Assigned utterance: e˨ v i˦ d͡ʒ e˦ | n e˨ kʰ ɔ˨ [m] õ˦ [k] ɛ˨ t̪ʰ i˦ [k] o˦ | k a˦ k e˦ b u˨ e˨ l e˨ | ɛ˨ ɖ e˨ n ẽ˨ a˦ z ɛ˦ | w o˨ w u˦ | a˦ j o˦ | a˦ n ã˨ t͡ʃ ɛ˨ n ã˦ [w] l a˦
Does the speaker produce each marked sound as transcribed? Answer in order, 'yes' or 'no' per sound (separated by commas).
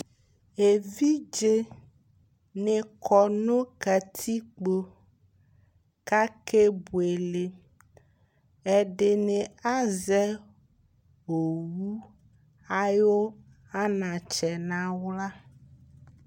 no, yes, no, yes